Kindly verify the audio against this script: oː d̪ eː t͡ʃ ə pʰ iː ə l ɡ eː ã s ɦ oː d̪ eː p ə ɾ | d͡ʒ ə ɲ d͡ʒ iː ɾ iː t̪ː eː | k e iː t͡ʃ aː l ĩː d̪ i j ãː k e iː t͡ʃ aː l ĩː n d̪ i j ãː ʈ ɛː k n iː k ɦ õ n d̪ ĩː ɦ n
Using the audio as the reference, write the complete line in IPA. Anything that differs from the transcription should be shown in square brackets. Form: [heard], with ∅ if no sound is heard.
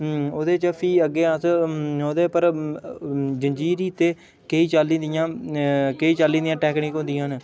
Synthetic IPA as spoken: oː d̪ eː t͡ʃ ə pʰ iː ə [∅] ɡ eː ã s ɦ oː d̪ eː p ə ɾ | d͡ʒ ə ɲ d͡ʒ iː ɾ iː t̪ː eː | k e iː t͡ʃ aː l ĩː d̪ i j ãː k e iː t͡ʃ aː l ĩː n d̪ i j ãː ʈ ɛː k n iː k ɦ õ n d̪ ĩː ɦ n